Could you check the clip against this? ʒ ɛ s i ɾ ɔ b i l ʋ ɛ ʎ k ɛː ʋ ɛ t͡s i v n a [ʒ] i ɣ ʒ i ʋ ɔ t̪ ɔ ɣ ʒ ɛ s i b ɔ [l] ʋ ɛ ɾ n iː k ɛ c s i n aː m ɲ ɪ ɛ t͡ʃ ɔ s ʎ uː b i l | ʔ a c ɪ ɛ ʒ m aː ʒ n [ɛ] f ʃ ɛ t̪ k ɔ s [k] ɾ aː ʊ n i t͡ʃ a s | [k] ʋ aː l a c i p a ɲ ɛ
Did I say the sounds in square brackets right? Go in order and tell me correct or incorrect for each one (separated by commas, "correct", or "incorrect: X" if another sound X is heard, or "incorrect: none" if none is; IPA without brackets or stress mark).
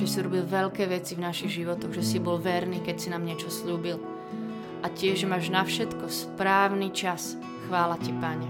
incorrect: ʃ, correct, incorrect: a, incorrect: p, incorrect: x